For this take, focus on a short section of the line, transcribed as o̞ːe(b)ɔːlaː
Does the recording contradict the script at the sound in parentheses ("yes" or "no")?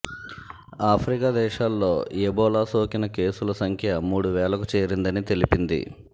no